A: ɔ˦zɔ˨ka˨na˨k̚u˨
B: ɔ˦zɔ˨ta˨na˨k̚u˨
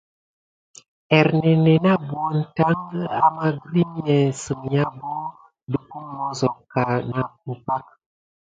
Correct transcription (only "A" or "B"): A